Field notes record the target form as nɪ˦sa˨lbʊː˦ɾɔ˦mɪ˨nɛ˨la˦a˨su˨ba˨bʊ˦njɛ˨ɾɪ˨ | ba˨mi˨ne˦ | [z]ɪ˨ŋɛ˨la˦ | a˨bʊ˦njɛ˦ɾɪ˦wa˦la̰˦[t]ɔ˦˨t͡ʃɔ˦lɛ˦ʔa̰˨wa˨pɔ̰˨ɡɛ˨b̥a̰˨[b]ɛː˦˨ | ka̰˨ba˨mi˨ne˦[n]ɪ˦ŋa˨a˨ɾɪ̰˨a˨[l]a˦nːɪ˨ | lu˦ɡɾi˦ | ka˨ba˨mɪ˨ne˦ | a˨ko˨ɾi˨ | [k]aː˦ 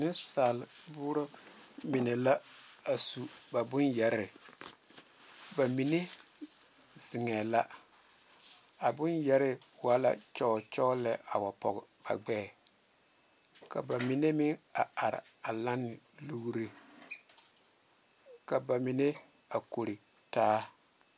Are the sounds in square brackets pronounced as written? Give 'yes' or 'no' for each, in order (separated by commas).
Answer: yes, no, no, no, yes, no